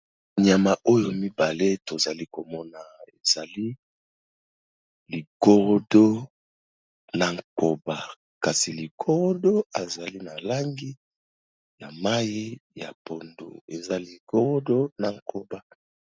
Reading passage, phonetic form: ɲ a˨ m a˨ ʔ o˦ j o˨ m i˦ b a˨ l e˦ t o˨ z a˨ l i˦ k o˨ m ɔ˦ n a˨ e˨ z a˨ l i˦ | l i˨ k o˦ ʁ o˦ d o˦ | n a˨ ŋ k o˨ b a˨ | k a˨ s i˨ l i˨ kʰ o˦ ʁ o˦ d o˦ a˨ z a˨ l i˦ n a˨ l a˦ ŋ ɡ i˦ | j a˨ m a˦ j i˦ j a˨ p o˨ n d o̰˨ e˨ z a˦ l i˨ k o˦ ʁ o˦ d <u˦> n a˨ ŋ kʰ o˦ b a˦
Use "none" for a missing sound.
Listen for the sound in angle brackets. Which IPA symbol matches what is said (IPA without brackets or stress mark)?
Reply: o˦